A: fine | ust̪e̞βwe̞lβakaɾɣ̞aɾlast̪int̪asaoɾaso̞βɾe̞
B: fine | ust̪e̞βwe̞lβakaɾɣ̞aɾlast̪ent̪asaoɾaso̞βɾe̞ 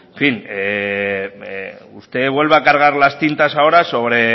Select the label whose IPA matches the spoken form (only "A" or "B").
A